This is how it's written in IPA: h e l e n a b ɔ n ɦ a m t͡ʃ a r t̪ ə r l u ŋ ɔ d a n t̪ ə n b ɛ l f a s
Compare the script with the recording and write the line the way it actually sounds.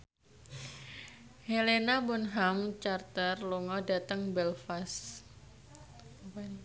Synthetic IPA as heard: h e l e n a b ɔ n ɦ a m t͡ʃ a r t̪ ə r l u ŋ ɔ d a t̪ ə ŋ b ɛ l f a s